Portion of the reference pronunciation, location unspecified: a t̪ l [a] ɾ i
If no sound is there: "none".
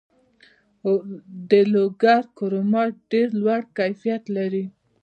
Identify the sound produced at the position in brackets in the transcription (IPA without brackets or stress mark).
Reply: a